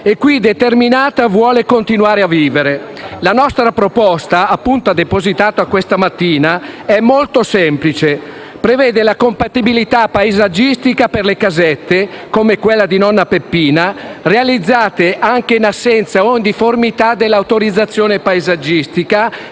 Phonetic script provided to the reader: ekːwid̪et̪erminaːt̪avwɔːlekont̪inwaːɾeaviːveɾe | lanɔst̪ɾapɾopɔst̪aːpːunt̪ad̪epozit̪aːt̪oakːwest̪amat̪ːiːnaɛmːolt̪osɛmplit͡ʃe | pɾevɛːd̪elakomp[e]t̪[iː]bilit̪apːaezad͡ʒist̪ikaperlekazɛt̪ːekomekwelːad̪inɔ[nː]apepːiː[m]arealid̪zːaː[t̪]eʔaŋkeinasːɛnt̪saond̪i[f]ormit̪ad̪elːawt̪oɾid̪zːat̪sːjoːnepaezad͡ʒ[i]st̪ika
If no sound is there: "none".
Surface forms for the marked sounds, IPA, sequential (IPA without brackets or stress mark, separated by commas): a, i, nː, n, t̪, f, i